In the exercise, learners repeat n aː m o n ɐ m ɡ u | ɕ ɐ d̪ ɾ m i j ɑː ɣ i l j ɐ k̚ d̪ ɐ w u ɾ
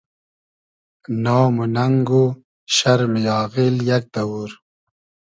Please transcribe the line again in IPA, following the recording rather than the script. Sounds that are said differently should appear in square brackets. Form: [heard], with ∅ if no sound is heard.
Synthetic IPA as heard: n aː m [u] n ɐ [ŋ] ɡ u | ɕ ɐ [∅] ɾ m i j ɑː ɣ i l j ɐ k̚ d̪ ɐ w u ɾ